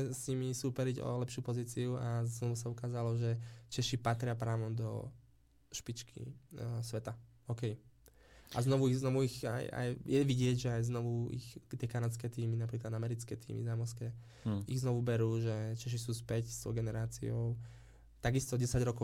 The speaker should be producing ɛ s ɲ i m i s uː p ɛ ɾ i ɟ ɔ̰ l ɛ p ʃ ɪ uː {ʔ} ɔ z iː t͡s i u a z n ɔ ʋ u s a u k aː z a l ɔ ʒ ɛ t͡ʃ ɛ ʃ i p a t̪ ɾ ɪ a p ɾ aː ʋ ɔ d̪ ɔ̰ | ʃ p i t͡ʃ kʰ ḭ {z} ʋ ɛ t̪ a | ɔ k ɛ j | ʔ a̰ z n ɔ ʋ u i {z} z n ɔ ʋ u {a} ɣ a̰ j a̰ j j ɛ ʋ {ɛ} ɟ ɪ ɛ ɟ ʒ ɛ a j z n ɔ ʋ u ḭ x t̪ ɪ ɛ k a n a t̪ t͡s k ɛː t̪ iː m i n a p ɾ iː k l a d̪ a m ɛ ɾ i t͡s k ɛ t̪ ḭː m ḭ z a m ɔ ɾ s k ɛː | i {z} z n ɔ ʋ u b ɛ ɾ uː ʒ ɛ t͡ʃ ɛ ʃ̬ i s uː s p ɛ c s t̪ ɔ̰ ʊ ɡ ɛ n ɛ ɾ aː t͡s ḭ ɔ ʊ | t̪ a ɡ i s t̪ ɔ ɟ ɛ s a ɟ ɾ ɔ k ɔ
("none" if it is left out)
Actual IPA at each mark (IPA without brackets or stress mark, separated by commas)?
p, s, ɣ, i, i, ɣ